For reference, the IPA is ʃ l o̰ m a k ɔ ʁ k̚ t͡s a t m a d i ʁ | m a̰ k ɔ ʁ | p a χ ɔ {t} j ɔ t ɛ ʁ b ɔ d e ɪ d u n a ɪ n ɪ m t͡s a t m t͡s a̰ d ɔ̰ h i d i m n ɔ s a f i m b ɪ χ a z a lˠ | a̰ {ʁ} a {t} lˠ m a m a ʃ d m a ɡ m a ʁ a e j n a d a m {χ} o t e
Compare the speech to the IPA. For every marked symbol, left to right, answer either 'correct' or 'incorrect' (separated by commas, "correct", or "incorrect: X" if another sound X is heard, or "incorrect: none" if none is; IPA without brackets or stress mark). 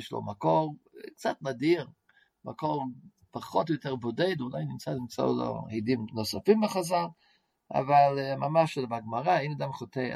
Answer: correct, incorrect: v, incorrect: none, correct